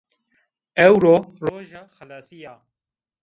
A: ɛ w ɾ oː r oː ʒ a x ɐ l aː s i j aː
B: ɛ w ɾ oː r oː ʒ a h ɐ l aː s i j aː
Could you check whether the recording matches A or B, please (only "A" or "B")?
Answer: A